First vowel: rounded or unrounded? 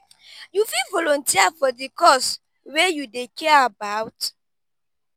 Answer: rounded